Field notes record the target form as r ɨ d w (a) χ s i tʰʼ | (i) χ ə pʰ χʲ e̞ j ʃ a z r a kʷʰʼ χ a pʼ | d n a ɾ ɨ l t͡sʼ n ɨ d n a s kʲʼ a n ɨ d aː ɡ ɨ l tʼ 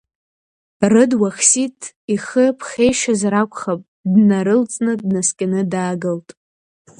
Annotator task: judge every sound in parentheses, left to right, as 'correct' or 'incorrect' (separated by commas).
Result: correct, correct